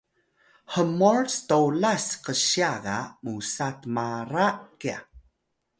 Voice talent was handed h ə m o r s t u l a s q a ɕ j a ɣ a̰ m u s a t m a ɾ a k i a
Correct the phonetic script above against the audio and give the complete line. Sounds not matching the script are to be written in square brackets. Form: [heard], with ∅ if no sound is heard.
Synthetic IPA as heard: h ə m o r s t [o] l a s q [ə] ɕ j a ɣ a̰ m u s a t m a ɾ a k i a